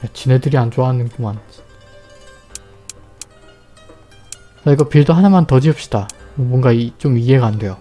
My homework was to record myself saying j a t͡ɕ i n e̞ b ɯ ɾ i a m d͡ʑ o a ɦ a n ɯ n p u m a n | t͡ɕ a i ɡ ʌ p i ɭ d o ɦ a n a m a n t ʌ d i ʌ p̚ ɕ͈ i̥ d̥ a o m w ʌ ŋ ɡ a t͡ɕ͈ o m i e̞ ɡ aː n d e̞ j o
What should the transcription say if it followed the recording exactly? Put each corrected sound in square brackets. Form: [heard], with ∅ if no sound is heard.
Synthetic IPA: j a t͡ɕ i n e̞ [d] ɯ ɾ i a [n] d͡ʑ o a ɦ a n ɯ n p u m a n | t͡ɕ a i ɡ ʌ p i ɭ d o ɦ a n a m a n t ʌ [d͡ʑ] i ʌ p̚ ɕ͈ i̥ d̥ a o m w ʌ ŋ ɡ a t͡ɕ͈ o m i e̞ ɡ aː n d e̞ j o